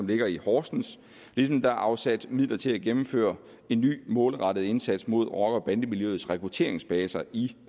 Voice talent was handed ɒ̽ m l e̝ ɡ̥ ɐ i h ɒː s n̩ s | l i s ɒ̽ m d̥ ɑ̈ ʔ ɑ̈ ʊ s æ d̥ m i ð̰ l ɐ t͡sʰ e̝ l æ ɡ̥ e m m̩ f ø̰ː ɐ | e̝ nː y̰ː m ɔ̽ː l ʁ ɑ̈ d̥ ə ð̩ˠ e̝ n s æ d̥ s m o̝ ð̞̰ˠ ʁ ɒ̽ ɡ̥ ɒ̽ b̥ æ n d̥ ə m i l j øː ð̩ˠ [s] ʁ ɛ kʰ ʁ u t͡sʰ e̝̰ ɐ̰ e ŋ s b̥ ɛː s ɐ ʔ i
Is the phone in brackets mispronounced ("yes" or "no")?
no